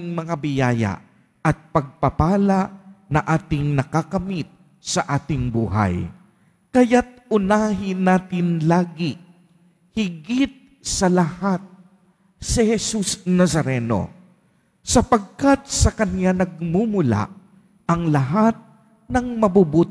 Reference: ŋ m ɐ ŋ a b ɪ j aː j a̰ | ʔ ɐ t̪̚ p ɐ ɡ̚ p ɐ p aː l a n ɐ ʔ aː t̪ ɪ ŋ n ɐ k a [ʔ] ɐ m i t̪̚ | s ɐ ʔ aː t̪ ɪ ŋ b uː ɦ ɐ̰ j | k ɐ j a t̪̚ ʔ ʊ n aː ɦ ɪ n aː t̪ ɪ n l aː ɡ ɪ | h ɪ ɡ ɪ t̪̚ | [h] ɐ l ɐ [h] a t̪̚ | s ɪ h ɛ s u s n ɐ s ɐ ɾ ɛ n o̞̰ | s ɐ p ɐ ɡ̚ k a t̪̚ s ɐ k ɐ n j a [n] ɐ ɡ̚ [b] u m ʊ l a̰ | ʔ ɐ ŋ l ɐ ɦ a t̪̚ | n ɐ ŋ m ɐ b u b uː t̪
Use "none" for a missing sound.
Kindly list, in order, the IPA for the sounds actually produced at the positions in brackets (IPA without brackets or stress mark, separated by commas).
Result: k, s, h, n, m